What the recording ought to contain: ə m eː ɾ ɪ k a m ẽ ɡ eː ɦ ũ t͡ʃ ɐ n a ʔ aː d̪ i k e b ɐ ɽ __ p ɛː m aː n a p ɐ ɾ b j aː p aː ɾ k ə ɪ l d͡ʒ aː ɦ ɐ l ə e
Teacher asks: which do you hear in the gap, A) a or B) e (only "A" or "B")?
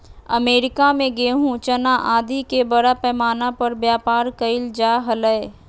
A